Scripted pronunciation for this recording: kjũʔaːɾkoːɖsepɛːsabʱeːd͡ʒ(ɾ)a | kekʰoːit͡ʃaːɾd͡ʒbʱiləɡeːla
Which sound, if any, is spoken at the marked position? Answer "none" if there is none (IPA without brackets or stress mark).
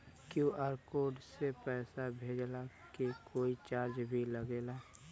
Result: l